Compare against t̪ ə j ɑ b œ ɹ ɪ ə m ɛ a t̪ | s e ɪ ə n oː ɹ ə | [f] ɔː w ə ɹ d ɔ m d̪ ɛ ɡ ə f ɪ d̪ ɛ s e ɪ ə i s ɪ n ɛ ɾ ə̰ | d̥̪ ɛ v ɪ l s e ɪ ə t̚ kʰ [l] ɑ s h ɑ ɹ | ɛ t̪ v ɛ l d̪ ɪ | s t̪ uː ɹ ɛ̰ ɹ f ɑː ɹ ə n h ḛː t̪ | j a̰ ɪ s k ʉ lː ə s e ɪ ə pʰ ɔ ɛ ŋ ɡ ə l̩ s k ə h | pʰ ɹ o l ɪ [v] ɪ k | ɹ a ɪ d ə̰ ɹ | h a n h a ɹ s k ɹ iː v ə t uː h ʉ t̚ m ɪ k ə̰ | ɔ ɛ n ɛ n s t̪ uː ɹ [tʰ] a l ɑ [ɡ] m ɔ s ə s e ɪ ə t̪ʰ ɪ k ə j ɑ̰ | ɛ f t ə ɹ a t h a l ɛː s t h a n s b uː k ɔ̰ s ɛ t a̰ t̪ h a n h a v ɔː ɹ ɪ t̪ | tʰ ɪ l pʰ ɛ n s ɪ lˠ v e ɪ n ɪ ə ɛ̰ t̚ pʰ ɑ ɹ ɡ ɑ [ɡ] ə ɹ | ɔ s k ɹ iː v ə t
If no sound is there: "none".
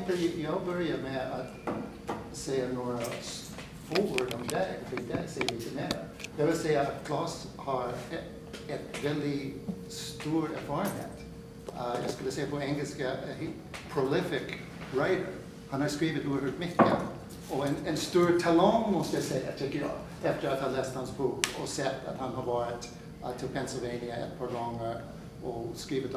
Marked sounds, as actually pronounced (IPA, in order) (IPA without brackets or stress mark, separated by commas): f, l, f, tʰ, ŋ, ŋ